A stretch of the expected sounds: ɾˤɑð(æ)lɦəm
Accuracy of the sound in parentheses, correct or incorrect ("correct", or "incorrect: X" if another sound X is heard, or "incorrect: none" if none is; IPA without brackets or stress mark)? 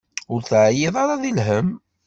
incorrect: i